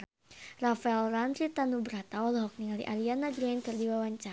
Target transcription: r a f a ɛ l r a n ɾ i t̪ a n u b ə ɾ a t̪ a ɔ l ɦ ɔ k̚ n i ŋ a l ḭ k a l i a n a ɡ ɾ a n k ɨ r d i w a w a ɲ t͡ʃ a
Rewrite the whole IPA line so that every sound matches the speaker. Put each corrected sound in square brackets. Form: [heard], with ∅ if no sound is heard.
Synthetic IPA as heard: r a f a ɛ l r a n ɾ i t̪ a n u b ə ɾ a t̪ a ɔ l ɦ ɔ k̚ n i ŋ a l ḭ [ʔ] a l i a n a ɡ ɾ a n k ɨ r d i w a w a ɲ t͡ʃ a